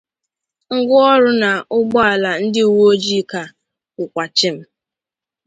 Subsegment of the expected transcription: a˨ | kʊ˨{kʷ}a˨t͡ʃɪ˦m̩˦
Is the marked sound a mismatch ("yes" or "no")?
no